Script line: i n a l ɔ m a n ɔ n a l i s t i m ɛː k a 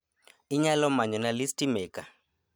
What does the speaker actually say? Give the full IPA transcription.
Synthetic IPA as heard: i ɲ a l ɔ m a ɲ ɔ n a l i s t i m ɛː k a